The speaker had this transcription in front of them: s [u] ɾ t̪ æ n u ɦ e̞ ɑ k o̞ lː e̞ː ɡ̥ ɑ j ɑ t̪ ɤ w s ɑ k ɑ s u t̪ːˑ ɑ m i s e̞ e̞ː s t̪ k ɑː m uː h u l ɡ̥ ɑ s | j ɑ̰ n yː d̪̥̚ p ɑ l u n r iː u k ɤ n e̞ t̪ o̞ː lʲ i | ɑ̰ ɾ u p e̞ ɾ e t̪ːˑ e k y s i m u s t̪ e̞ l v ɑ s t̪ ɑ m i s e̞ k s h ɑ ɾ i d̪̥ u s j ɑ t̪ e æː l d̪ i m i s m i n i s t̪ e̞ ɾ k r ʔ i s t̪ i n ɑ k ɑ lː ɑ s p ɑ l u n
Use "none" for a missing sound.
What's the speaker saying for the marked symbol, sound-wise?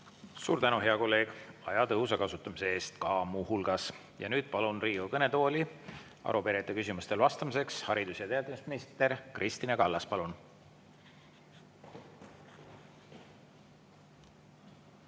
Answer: uː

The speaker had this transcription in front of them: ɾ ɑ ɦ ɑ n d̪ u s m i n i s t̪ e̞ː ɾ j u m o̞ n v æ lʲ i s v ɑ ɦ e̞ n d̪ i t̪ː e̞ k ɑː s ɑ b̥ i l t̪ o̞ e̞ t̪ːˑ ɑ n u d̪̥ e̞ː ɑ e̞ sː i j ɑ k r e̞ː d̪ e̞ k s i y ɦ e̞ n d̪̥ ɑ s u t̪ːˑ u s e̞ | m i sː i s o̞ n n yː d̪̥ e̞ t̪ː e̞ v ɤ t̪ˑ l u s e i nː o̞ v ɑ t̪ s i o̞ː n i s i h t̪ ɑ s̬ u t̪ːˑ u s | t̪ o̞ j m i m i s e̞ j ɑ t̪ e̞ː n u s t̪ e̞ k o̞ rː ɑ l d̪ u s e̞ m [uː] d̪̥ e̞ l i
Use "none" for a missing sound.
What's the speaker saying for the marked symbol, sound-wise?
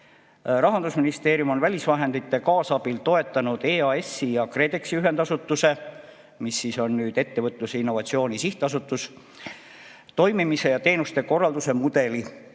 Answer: u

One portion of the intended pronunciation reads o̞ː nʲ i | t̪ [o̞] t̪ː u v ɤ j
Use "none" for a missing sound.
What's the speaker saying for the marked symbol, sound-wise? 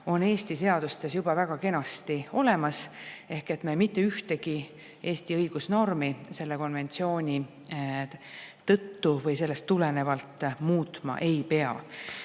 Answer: ɤ̞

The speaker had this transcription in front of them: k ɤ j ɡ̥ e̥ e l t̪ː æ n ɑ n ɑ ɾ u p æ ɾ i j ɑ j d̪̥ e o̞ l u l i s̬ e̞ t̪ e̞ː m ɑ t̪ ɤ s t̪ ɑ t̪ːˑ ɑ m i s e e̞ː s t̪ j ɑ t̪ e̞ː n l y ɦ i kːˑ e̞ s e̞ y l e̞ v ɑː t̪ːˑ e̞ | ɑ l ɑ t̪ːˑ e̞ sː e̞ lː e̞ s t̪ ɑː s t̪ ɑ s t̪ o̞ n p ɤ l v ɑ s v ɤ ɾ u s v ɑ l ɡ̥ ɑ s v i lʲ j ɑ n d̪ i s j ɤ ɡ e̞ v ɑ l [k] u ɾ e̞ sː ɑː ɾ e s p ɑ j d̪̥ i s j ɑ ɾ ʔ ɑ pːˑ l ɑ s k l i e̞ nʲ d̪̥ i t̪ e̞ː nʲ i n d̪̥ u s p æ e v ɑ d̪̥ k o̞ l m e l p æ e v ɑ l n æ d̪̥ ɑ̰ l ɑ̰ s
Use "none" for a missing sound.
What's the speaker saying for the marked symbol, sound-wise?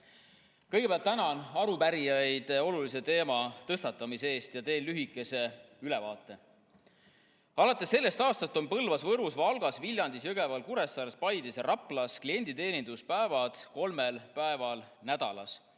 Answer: k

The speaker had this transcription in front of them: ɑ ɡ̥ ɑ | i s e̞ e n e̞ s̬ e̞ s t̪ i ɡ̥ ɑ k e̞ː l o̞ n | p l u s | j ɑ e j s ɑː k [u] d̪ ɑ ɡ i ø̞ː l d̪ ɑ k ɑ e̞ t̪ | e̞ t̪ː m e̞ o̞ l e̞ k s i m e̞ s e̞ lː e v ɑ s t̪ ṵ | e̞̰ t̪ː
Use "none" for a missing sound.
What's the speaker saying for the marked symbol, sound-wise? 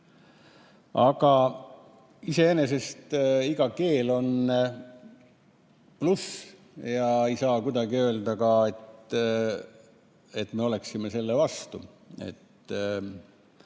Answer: u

